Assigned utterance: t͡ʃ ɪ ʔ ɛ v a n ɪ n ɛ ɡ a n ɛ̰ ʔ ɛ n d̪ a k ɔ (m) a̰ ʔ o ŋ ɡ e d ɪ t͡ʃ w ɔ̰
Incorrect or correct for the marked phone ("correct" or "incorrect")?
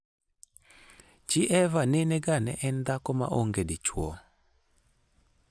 correct